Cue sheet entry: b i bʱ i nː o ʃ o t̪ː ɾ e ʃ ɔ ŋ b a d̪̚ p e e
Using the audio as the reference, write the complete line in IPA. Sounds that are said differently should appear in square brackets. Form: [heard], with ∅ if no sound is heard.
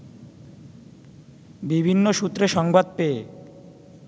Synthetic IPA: b i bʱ i nː o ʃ [u] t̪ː ɾ e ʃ ɔ ŋ b a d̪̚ p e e